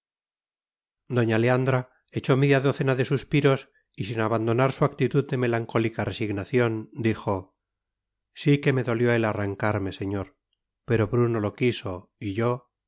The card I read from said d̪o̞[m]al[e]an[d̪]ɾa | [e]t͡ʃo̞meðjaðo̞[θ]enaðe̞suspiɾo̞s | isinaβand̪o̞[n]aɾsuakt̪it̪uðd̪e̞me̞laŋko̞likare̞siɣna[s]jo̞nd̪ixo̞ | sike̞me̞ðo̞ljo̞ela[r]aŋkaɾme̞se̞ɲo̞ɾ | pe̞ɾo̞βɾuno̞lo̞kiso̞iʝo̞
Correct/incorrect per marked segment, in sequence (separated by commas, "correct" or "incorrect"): incorrect, correct, correct, correct, correct, correct, incorrect, correct